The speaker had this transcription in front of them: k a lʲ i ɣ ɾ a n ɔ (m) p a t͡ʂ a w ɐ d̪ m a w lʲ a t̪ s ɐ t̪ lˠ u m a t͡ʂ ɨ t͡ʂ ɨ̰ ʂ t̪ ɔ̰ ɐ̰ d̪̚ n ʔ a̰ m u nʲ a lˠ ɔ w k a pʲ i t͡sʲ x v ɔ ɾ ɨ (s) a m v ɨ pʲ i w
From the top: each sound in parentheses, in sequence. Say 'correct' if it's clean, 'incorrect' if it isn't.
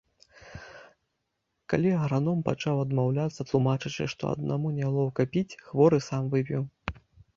correct, correct

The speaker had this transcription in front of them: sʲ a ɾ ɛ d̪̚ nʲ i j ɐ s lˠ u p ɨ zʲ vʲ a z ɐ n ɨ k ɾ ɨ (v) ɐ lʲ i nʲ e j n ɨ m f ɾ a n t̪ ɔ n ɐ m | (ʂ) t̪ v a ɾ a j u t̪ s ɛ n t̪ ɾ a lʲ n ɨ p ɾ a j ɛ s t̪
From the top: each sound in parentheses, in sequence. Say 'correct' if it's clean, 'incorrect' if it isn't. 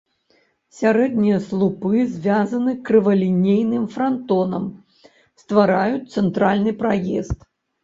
correct, incorrect

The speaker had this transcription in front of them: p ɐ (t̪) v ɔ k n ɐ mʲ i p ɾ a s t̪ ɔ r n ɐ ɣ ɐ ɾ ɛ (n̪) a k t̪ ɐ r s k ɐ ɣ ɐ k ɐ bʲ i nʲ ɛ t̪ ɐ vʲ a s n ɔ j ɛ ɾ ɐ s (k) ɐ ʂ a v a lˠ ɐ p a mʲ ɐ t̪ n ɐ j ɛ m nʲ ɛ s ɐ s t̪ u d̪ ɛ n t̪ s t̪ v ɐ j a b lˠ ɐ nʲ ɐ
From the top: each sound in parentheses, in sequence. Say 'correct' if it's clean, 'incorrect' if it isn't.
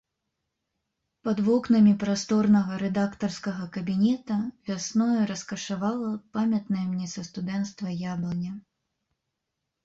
incorrect, incorrect, correct

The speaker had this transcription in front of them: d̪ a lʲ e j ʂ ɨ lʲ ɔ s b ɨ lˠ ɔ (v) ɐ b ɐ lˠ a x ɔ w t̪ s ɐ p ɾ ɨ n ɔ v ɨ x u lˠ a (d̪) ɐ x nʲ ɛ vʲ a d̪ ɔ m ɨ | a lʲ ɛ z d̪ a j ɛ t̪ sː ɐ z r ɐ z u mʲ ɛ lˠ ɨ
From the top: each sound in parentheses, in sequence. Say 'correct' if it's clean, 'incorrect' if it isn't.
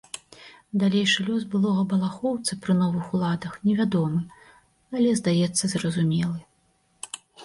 incorrect, correct

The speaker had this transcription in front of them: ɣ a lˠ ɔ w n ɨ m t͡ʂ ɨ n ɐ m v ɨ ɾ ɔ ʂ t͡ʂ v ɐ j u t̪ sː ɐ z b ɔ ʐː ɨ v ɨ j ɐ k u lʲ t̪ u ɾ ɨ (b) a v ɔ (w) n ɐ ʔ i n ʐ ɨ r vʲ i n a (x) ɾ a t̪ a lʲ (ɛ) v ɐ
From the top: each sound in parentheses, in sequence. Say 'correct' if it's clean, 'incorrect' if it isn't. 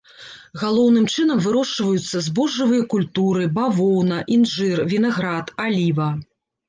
correct, correct, incorrect, incorrect

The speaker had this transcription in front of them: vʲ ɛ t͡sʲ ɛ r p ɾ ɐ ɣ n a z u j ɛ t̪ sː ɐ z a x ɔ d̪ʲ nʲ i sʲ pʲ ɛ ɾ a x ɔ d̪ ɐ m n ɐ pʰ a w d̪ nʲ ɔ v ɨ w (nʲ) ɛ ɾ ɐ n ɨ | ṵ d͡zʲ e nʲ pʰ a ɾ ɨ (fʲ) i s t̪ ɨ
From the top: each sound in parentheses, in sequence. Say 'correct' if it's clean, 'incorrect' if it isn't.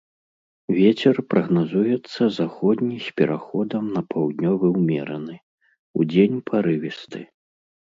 incorrect, incorrect

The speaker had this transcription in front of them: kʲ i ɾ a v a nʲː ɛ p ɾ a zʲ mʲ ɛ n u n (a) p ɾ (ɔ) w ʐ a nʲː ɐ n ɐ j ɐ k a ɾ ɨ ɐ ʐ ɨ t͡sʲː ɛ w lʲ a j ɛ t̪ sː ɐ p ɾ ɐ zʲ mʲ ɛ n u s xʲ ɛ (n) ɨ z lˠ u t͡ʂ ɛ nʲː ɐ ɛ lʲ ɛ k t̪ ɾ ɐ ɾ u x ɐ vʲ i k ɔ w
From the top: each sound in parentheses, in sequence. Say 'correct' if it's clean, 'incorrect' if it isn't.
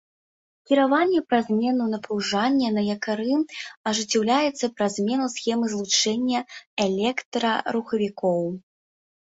incorrect, incorrect, incorrect

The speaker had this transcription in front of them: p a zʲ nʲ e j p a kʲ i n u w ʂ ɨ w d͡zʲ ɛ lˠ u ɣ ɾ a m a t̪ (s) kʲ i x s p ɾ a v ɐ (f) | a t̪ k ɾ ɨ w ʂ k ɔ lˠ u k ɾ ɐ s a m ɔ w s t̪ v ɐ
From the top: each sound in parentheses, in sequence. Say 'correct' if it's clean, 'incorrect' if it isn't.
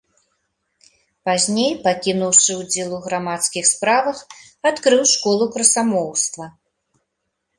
correct, incorrect

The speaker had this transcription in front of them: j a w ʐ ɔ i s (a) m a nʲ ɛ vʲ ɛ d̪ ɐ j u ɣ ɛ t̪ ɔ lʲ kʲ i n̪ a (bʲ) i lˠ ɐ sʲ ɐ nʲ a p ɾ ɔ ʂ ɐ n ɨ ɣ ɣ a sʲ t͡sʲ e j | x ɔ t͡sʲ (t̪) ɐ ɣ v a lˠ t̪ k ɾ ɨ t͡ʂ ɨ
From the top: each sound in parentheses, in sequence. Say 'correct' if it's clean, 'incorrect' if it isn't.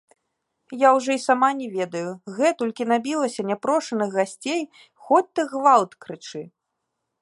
correct, correct, correct

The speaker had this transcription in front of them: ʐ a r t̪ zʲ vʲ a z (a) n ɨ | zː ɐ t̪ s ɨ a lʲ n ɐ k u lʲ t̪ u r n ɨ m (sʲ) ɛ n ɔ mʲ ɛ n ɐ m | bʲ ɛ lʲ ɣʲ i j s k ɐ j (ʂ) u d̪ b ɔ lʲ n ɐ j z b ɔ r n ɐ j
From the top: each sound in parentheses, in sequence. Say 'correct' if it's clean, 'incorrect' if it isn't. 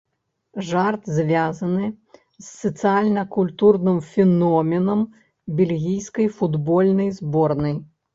incorrect, incorrect, incorrect

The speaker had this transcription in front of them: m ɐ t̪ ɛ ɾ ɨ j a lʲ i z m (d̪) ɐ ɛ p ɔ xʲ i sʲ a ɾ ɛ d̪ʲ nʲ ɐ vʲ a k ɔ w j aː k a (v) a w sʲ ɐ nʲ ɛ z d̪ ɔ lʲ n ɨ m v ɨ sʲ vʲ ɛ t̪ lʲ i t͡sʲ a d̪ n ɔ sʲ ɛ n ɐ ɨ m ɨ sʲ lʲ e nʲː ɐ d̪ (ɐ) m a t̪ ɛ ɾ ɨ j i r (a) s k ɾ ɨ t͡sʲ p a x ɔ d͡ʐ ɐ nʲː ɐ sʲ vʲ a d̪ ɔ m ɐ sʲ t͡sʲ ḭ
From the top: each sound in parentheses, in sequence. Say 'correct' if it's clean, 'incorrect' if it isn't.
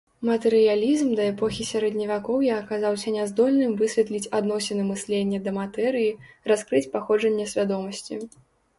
correct, incorrect, correct, correct

